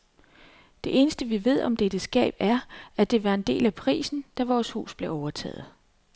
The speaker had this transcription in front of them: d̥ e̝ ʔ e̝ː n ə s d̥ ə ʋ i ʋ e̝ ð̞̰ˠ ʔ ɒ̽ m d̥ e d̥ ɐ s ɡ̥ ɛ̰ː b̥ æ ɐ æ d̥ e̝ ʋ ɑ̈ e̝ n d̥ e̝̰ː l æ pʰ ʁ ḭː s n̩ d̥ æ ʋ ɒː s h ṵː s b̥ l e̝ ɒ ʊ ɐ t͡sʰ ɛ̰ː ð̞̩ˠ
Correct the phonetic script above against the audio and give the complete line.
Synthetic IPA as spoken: d̥ e̝ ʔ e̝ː n ə s d̥ ə ʋ i ʋ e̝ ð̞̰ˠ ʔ ɒ̽ m d̥ e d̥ ə s ɡ̥ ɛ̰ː b̥ æ ɐ æ d̥ e̝ ʋ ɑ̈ e̝ n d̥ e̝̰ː l æ pʰ ʁ ḭː s n̩ d̥ æ ʋ ɒː s h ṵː s b̥ l e̝ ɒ ʊ ɐ t͡sʰ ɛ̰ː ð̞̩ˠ